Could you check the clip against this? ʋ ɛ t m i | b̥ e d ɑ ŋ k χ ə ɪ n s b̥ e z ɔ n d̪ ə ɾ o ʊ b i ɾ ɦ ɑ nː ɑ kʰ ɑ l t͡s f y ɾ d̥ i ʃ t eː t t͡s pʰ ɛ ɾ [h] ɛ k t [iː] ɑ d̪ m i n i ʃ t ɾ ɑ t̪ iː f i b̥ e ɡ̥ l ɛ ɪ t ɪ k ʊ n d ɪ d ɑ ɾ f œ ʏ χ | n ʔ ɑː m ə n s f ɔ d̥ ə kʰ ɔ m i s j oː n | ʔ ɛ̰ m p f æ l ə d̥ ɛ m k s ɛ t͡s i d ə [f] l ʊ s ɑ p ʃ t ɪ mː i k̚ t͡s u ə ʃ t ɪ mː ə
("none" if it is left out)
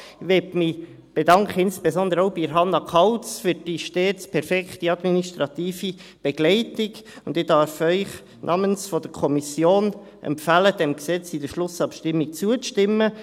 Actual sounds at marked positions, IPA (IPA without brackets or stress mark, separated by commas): f, i, ʃ